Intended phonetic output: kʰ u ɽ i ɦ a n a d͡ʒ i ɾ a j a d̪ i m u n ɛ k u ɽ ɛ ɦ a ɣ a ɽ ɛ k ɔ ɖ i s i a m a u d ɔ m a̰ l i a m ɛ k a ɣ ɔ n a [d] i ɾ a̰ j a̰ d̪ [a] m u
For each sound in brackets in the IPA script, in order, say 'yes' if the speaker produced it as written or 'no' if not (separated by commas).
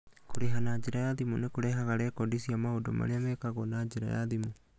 no, no